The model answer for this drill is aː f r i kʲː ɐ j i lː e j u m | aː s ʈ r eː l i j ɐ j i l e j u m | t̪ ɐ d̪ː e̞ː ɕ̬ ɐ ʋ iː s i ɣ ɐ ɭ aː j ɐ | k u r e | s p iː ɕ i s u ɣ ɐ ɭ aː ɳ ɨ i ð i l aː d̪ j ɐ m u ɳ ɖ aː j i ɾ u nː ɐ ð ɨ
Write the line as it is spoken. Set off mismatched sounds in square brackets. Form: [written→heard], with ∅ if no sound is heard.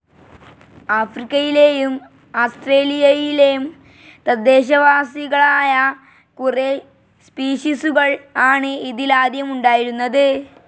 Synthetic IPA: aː f r i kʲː ɐ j i [lː→l] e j u m | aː s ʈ r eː l i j ɐ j i l e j u m | t̪ ɐ d̪ː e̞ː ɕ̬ ɐ ʋ [iː→aː] s i ɣ ɐ ɭ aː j ɐ | k u r e | s p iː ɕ i s u ɣ ɐ ɭ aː ɳ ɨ i ð i l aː d̪ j ɐ m u ɳ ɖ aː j i ɾ u nː ɐ ð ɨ